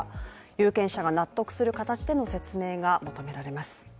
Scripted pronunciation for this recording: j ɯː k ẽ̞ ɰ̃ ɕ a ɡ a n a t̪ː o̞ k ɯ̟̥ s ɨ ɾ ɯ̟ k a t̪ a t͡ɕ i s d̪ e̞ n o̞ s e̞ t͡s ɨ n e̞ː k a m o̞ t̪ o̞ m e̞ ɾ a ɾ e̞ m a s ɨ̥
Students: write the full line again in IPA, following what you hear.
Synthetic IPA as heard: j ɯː k ẽ̞ ɰ̃ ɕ a ɡ a n a t̪ː o̞ k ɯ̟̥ s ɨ ɾ ɯ̟ k a t̪ a t͡ɕ i d̪ e̞ n o̞ s e̞ t͡s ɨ m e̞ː ɡ a m o̞ t̪ o̞ m e̞ ɾ a ɾ e̞ m a s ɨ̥